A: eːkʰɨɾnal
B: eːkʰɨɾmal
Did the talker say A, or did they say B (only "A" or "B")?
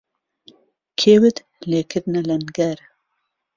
A